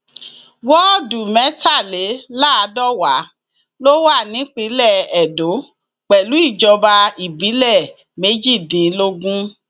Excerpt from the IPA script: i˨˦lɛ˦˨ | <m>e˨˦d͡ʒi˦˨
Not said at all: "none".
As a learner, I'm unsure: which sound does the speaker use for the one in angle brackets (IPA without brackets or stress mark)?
m